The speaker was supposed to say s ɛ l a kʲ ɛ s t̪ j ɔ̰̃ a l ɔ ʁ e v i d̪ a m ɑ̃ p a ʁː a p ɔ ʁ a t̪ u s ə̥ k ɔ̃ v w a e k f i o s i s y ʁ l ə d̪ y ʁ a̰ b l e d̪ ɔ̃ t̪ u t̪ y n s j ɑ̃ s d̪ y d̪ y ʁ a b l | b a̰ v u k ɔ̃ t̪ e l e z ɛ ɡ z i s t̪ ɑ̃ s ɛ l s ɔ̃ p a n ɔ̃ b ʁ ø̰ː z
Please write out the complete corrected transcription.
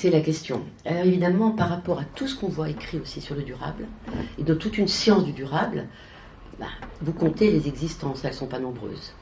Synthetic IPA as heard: s ɛ l a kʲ ɛ s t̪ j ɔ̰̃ a l ɔ ʁ e v i d̪ a m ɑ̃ p a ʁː a p ɔ ʁ a t̪ u s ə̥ k ɔ̃ v w a e k χ i o s i s y ʁ l ə d̪ y ʁ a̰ b l e d̪ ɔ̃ t̪ u t̪ y n s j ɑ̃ s d̪ y d̪ y ʁ a b l | b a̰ v u k ɔ̃ t̪ e l e z ɛ ɡ z i s t̪ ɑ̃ s ɛ l s ɔ̃ p a n ɔ̃ b ʁ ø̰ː z